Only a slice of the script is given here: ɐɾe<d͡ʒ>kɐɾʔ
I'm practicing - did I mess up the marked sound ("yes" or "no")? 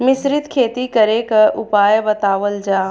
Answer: yes